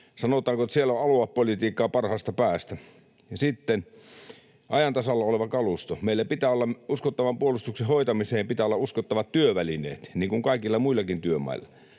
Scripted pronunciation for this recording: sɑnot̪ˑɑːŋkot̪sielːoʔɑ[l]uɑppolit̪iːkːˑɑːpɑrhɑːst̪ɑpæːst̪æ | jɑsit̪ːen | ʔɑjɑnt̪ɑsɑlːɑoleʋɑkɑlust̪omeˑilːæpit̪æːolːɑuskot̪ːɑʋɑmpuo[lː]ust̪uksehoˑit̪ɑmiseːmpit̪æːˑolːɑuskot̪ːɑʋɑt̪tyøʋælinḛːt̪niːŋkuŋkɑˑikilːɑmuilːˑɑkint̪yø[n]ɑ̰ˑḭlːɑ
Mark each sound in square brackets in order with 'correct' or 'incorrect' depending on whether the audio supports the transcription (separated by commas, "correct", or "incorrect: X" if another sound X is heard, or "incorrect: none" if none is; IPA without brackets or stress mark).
correct, incorrect: l, incorrect: m